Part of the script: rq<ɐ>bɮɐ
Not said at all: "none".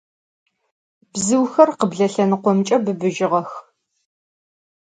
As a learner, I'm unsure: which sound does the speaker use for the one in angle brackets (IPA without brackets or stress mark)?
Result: ə